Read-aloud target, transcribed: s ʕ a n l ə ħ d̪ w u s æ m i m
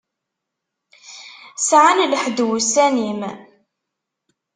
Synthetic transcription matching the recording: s ʕ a n l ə ħ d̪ w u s æ n i m